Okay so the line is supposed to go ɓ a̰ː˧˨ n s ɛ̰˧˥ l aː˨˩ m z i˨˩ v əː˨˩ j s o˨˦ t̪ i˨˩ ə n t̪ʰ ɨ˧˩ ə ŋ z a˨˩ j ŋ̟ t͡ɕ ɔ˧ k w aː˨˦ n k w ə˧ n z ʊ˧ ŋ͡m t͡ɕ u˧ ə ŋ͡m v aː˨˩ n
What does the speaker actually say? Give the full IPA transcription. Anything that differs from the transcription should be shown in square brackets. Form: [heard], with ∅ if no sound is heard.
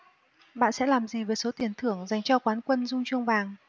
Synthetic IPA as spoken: ɓ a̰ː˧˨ n s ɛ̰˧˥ l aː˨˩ m z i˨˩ v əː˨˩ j s o˨˦ t̪ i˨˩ ə n t̪ʰ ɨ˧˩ ə ŋ z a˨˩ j ŋ̟ t͡ɕ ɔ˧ k w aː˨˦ n k w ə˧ n z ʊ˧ ŋ͡m t͡ɕ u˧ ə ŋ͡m v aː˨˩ [ŋ]